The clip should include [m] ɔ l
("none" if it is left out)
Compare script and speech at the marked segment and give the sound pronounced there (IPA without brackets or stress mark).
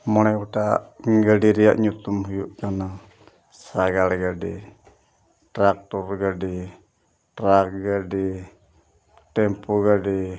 m